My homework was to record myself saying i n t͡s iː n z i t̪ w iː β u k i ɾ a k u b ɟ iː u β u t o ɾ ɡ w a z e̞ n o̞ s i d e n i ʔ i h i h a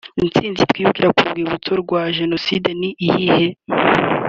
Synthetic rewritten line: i n t͡s iː n z i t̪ w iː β u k i ɾ a k u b ɡ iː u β u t o ɾ ɡ w a ʒ e̞ n o̞ s i d e n i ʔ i h i h e